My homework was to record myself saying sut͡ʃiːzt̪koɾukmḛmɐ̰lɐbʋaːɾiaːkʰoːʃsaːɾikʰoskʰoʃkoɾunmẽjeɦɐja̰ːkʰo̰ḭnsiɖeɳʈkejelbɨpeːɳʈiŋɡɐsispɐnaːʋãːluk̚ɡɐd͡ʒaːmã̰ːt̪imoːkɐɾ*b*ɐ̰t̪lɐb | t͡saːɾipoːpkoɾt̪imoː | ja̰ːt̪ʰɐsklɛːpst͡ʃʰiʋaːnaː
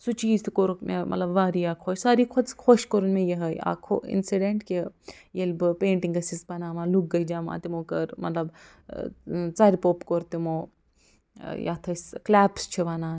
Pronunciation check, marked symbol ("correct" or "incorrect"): incorrect